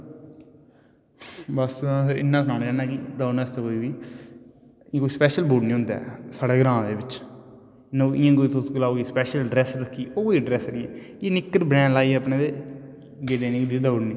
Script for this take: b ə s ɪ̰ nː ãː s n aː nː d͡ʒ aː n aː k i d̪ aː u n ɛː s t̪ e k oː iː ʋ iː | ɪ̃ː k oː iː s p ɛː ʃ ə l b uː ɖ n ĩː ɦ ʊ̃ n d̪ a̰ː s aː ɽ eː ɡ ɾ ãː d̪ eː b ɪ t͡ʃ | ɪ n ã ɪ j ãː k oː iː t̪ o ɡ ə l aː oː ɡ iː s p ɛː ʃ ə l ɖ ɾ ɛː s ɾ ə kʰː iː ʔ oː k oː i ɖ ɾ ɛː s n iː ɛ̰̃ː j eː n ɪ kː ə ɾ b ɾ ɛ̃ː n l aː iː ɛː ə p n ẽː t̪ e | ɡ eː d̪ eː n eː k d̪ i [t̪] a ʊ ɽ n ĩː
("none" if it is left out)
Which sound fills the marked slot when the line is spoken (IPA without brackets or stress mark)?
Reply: d̪